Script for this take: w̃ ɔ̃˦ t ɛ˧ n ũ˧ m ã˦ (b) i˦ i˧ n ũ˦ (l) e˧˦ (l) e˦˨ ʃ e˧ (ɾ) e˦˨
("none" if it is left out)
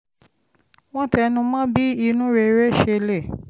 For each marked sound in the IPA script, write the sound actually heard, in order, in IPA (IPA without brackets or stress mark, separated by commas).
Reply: b, ɾ, ɾ, l